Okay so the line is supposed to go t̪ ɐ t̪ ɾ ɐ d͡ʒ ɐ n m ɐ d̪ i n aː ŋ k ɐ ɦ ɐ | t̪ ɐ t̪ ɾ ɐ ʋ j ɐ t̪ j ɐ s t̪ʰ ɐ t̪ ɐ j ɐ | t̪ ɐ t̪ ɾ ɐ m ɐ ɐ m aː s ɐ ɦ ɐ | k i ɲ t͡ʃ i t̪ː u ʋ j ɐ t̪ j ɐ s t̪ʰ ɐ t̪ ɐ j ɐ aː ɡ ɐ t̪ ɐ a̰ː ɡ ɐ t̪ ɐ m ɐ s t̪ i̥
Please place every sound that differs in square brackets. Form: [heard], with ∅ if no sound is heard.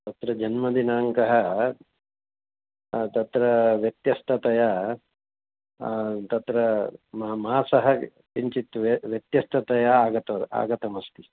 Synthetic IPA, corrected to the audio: t̪ ɐ t̪ ɾ ɐ d͡ʒ ɐ n m ɐ d̪ i n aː ŋ k ɐ ɦ ɐ | t̪ ɐ t̪ ɾ ɐ ʋ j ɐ t̪ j ɐ s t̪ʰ ɐ t̪ ɐ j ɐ | t̪ ɐ t̪ ɾ ɐ m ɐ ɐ m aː s ɐ ɦ ɐ | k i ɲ t͡ʃ i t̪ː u ʋ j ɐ t̪ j ɐ s t̪ʰ ɐ t̪ ɐ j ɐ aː ɡ ɐ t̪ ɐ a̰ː ɡ ɐ t̪ ɐ m ɐ s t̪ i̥